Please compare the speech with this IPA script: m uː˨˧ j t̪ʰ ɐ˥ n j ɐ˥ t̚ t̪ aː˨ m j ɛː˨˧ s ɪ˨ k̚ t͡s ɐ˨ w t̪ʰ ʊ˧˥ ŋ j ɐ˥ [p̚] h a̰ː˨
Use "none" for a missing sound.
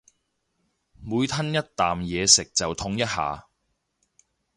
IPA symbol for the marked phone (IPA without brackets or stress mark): t̚